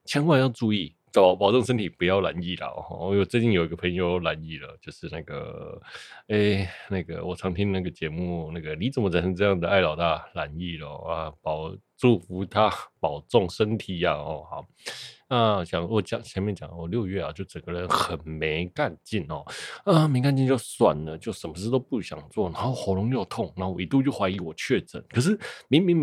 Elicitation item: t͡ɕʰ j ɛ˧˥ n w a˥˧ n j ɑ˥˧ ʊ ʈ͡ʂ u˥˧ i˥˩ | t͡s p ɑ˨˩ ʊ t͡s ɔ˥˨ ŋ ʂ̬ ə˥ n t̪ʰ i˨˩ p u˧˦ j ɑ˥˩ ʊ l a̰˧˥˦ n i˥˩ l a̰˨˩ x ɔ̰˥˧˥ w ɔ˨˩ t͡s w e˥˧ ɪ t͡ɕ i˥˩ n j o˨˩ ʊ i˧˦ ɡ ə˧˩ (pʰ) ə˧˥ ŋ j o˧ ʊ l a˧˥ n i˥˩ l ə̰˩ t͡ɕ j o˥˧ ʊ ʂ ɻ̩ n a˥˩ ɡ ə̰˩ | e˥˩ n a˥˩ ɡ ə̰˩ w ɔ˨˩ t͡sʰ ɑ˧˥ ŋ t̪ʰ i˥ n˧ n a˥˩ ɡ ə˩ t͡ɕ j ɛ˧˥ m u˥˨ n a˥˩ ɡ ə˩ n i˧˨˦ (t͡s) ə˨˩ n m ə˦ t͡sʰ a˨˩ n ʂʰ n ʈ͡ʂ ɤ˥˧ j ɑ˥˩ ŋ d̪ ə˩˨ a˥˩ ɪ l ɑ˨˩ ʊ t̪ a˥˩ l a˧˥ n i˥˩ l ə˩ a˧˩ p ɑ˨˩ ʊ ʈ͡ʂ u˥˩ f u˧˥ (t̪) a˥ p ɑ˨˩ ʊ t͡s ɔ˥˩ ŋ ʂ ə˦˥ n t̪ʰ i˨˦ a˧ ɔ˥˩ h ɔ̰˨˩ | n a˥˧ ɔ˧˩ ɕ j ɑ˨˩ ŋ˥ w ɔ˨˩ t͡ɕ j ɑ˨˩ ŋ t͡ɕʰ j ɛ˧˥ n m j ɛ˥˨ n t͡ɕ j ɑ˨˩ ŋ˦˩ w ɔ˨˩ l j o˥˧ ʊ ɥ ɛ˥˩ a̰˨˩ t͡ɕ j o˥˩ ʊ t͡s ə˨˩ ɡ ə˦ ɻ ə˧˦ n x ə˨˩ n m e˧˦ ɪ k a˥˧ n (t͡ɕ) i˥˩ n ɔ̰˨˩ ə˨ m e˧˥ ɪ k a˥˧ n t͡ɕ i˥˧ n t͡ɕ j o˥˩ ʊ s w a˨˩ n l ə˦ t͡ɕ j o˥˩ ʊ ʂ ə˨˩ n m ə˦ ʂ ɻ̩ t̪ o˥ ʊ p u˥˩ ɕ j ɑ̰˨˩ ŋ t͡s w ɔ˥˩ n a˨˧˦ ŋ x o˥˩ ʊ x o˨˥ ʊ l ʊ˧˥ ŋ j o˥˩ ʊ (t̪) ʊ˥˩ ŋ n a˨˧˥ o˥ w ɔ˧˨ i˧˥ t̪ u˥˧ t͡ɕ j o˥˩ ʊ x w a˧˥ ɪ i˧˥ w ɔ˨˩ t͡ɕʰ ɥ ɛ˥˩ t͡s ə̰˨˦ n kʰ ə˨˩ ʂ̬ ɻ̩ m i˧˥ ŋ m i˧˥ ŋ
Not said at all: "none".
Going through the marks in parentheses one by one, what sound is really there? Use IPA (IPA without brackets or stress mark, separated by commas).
pʰ, t͡s, t̪ʰ, t͡ɕ, t̪ʰ